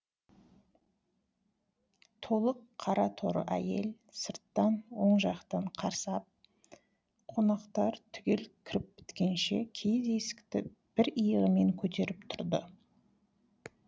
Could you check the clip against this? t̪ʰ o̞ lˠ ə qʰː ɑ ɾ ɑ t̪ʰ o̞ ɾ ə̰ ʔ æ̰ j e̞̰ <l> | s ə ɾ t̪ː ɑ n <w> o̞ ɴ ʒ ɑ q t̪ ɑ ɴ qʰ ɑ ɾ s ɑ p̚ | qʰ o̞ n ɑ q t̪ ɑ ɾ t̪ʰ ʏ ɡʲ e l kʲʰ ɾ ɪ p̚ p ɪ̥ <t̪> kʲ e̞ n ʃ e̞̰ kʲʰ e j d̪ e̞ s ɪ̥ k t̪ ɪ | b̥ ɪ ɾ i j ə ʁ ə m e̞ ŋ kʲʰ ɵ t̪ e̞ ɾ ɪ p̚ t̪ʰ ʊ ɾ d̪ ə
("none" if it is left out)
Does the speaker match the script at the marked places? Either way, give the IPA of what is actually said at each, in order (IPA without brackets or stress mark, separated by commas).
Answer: l, w, t̪